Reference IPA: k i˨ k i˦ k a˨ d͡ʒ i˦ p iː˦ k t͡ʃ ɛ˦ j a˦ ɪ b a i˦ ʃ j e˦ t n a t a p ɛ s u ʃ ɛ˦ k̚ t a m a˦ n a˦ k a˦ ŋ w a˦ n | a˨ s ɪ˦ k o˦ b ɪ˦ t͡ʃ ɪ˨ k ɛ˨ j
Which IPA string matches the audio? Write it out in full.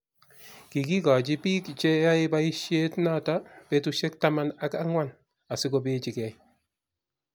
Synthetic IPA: k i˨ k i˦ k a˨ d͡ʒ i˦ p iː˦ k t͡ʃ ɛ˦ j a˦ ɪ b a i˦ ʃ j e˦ t n a t a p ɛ t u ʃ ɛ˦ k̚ t a m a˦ n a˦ k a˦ ŋ w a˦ n | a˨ s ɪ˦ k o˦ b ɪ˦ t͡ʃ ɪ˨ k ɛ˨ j